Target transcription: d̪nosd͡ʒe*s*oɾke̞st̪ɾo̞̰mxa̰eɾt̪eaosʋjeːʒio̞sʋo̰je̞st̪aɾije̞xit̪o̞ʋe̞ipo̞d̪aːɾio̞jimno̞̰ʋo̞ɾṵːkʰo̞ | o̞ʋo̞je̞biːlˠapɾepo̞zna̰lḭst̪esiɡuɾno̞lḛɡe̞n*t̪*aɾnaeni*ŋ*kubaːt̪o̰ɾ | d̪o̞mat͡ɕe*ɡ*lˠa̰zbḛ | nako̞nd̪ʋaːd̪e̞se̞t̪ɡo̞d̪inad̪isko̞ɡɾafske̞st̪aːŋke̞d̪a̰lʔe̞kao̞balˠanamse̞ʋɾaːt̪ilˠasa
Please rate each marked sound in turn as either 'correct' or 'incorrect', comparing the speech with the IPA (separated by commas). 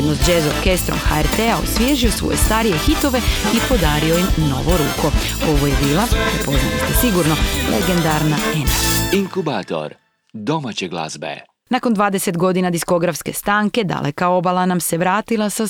incorrect, incorrect, correct, correct